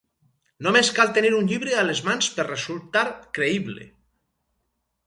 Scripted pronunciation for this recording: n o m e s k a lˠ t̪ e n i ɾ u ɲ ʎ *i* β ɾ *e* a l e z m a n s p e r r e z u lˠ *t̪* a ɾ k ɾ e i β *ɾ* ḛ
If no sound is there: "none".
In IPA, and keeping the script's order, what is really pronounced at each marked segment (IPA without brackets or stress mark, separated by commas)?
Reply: i, e, t̪, l